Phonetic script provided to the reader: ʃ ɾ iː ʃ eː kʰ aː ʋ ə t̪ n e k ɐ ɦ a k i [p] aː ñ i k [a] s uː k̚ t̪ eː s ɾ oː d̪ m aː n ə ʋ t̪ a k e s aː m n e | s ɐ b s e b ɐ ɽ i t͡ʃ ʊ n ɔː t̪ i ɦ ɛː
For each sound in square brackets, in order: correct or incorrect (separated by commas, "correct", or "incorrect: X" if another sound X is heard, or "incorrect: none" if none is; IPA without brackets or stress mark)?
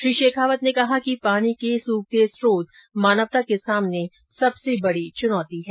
correct, incorrect: e